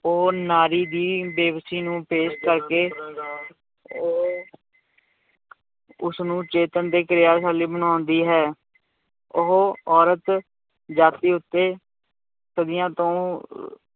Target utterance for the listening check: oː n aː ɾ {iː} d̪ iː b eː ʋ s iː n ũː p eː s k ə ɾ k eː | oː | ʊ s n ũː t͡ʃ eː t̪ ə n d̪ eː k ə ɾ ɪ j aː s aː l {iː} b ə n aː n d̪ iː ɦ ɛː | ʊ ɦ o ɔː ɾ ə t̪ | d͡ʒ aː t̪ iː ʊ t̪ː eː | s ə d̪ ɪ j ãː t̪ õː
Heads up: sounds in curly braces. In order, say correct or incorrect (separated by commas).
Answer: correct, correct